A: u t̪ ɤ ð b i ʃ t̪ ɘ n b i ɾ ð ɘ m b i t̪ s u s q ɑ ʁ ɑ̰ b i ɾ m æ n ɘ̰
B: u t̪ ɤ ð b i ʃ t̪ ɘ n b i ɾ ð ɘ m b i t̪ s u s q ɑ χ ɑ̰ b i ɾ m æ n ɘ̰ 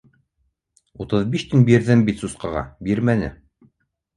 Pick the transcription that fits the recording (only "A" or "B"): A